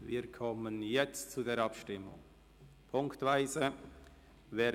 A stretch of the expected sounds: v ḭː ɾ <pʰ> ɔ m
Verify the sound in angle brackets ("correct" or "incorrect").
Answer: incorrect